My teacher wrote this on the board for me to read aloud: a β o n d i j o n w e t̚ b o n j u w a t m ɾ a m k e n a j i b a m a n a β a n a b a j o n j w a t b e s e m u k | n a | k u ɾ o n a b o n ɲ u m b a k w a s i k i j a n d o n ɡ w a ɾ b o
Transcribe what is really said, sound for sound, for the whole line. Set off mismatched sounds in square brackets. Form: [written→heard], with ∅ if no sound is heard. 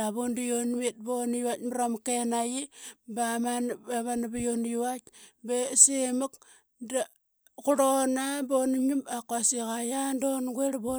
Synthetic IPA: a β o n d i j o n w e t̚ b o n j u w a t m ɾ a m k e n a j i b a m a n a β a n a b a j o n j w a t b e s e m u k | [n→d] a | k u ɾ o n a b o n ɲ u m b a k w a s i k [i→a] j a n d o n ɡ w [a→e] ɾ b o

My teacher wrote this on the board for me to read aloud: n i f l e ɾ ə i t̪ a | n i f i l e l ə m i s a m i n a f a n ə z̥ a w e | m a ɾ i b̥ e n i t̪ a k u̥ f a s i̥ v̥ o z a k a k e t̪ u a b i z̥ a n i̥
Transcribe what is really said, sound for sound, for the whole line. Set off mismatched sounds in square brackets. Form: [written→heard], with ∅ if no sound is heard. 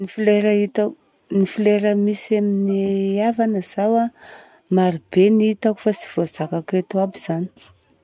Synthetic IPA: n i f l e ɾ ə i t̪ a | n i f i l e [l→ɾ] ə m i s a m i n a [f→v] a n ə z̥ a w [e→a] | m a ɾ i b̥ e n i t̪ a k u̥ f a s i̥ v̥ o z a k a k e t̪ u a b i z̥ a n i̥

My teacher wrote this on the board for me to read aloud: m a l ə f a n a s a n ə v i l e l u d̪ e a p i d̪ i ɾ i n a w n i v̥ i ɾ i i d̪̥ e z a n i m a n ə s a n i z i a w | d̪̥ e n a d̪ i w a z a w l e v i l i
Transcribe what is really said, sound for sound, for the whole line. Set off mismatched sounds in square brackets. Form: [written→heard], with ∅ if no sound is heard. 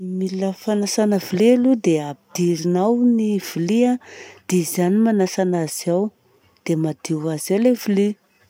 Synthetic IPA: m [a→i] l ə f a n a s a n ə v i l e l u d̪ e a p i d̪ i ɾ i n a w n i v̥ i [ɾ→l] i [i→a] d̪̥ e z a n i m a n [ə→a] s a n [i→a] z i a w | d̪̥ e [n→m] a d̪ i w a z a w l e v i l i

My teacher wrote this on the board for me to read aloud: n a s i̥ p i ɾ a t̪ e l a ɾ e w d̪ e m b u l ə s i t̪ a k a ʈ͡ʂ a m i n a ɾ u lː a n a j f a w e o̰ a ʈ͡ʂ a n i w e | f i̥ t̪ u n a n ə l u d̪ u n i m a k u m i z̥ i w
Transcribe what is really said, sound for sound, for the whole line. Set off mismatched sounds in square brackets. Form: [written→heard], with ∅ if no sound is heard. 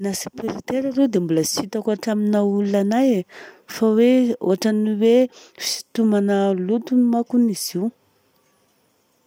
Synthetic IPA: n a s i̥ p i ɾ [a→i] t̪ e [l→ɾ] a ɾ e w d̪ e m b u l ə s i t̪ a k a ʈ͡ʂ a m i n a [ɾ→∅] u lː a n a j f a w e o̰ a ʈ͡ʂ a n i w e | f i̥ t̪ u [n→m] a n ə l u [d̪→t̪] u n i m a k u [m→n] i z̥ i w

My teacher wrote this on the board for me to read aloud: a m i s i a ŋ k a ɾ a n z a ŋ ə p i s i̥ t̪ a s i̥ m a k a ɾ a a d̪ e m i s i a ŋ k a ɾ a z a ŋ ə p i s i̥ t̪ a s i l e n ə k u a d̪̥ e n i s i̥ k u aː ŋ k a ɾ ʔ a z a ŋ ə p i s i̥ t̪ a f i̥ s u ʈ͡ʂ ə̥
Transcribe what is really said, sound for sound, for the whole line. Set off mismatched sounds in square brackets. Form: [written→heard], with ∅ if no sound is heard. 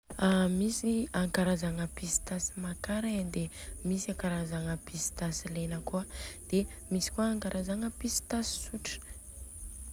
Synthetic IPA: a m i s i a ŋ k a ɾ a [n→∅] z a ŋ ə p i s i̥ t̪ a s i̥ m a k a ɾ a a d̪ e m i s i a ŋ k a ɾ a z a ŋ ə p i s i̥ t̪ a s i l e n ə k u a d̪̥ e [n→m] i s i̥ k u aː ŋ k a ɾ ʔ a z a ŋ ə p i s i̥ t̪ a [f→s] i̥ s u ʈ͡ʂ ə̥

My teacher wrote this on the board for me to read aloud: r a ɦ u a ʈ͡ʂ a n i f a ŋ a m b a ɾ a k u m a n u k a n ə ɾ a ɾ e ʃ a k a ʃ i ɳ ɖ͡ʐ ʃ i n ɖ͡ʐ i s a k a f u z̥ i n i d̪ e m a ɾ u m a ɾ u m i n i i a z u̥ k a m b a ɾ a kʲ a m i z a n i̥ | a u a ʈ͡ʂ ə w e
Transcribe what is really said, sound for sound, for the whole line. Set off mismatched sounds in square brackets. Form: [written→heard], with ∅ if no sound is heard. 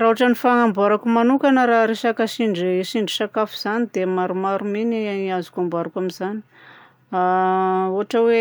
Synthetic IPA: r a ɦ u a ʈ͡ʂ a n i f a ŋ a m b a ɾ a k u m a n u k a n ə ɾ a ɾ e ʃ a k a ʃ i ɳ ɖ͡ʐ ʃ i [n→ɳ] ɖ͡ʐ i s a k a f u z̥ [i→a] n i d̪ e m a ɾ u m a ɾ u m i n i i a z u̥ k a m b a ɾ a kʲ a m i z a n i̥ | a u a ʈ͡ʂ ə w e

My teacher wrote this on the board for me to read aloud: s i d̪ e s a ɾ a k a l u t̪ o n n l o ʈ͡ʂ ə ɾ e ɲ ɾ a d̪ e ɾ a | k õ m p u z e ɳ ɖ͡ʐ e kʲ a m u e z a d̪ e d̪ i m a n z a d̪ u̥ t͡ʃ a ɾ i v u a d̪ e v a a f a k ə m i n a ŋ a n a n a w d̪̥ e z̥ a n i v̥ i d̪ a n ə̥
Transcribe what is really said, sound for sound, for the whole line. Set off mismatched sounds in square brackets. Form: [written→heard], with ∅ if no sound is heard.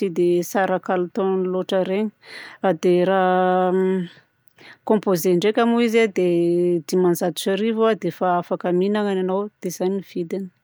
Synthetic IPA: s i d̪ e s a ɾ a k a l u t̪ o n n l o ʈ͡ʂ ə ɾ e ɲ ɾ a d̪ e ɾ a | k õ m p [u→o] z e ɳ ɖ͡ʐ e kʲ a m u [e→i] z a d̪ e d̪ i m a n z a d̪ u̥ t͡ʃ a ɾ i v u a d̪ e [v→f] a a f a k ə m i n a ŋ a n a n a w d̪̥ e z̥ a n i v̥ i d̪ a n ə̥

